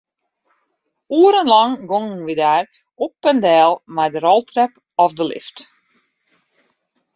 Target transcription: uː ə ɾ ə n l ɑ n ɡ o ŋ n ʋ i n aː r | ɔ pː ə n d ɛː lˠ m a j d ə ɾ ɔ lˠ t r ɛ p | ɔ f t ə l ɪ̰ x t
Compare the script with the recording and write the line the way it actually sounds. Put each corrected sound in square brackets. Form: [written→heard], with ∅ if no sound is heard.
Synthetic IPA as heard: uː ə ɾ ə n l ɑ [n→ŋ] ɡ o ŋ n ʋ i [n→d] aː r | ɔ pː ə n d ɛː lˠ m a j d ə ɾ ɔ lˠ t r ɛ p | ɔ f [t→d] ə l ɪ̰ [x→f] t